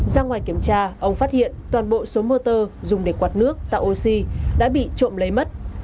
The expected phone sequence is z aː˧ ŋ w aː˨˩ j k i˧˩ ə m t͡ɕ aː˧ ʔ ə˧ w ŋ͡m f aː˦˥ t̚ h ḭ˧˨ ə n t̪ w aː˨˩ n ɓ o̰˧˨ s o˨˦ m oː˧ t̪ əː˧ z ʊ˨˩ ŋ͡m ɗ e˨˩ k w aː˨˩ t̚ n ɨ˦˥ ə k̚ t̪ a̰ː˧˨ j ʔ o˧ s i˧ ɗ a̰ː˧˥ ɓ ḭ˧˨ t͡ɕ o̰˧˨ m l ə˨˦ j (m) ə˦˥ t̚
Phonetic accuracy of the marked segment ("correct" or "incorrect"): correct